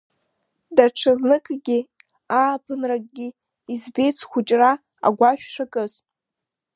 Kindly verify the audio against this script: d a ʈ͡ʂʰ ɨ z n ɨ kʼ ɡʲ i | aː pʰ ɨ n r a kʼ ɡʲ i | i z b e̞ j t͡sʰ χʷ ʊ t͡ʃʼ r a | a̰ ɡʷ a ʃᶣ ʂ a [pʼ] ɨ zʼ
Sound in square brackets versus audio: incorrect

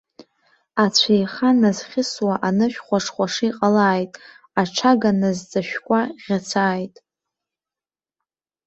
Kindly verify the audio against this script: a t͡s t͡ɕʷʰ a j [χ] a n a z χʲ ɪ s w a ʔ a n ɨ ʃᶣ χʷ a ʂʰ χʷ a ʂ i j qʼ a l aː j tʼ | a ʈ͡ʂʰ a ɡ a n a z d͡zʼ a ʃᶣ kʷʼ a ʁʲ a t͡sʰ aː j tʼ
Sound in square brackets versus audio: correct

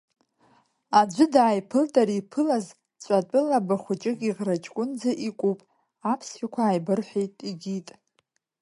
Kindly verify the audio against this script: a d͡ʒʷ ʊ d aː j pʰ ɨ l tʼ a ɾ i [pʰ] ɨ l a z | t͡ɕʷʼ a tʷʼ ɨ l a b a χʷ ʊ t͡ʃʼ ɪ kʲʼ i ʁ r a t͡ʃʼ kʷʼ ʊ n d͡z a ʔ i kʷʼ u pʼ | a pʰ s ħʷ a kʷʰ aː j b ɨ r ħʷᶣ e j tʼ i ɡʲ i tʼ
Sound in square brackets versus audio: correct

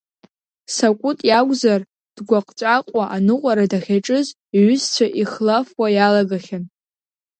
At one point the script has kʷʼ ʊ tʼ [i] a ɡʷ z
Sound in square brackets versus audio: incorrect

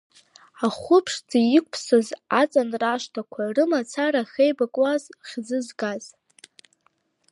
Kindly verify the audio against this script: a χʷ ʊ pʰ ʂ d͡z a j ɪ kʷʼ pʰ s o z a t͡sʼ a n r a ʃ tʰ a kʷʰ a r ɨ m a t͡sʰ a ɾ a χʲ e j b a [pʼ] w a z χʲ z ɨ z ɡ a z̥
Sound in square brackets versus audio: incorrect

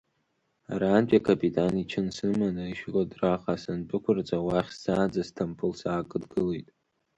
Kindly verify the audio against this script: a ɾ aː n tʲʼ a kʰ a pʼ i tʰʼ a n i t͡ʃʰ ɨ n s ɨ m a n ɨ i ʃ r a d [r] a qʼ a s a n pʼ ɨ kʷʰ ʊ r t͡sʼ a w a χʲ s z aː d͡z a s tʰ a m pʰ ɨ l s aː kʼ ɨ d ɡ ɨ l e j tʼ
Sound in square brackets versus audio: correct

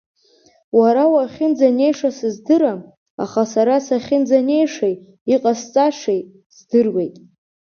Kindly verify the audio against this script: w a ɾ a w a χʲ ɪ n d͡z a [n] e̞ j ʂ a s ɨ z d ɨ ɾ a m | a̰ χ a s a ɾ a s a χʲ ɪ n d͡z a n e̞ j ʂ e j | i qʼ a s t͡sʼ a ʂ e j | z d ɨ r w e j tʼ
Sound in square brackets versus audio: correct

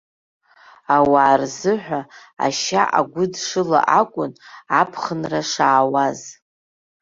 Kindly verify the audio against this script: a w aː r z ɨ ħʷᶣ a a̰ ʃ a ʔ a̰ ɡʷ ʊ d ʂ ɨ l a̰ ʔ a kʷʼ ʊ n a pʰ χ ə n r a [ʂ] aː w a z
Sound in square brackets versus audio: correct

